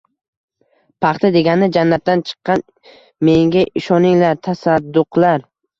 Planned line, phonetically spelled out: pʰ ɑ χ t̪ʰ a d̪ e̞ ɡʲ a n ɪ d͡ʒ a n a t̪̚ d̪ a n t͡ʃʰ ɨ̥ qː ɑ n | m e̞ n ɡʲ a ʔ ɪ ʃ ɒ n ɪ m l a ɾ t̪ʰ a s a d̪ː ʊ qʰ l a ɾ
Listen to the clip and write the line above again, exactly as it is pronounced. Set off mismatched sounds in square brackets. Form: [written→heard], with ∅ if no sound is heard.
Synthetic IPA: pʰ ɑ χ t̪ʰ a d̪ e̞ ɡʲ a n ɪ d͡ʒ a [n→nː] a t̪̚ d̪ a n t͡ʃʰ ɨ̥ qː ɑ n | m e̞ [n→ŋ] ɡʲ a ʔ ɪ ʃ ɒ n ɪ [m→ŋ] l a ɾ t̪ʰ a s a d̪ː ʊ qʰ l a ɾ